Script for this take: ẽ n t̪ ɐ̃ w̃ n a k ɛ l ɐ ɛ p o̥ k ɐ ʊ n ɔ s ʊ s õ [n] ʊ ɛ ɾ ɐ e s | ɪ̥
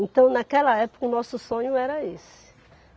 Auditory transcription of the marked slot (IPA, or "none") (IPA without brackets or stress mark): ɲ